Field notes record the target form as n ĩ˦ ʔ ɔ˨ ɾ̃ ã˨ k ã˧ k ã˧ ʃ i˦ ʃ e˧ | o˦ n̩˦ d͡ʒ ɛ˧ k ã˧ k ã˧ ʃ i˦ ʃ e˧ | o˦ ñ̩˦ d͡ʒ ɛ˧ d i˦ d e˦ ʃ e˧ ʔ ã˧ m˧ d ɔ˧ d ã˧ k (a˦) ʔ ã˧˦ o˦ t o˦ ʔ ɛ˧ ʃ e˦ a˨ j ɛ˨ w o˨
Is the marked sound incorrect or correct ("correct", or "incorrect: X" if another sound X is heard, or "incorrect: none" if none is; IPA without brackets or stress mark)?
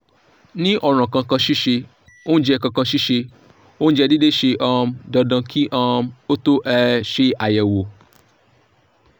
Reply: incorrect: i˦